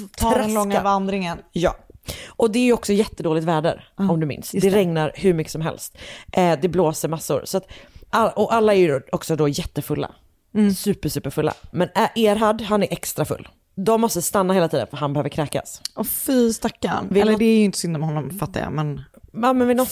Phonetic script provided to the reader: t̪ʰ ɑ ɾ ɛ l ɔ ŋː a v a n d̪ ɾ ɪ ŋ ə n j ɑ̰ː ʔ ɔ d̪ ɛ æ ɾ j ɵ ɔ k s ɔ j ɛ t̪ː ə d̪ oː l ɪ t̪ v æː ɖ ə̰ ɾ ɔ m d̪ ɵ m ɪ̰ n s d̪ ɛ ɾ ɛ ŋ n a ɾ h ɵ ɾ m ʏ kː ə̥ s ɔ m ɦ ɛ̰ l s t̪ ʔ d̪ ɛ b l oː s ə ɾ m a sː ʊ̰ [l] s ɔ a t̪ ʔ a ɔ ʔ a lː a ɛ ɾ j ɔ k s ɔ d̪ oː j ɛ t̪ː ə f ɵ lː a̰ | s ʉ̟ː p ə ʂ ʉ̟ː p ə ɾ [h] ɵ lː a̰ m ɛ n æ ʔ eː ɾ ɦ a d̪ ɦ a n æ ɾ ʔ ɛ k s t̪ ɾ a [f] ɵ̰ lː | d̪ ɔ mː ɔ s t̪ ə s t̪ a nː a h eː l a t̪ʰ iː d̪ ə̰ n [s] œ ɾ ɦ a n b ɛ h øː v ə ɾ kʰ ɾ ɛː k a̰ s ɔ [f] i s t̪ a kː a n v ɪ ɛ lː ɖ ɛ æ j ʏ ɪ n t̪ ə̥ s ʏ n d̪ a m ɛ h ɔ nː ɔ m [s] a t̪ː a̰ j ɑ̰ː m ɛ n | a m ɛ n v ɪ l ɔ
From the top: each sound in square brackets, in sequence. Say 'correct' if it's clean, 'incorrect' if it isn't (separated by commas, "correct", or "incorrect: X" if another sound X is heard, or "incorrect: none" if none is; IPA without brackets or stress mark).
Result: incorrect: ɾ, incorrect: f, correct, incorrect: f, correct, incorrect: f